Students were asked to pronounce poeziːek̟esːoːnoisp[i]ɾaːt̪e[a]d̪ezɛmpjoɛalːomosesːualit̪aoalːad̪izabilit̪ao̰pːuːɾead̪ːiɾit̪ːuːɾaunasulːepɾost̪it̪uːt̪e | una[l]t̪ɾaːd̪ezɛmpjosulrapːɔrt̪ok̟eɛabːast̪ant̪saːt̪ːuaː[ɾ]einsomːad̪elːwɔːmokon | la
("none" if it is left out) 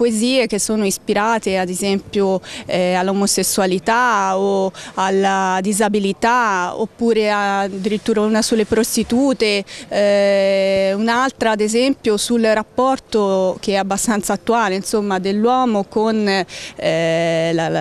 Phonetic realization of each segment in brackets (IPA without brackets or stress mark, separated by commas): i, a, l, l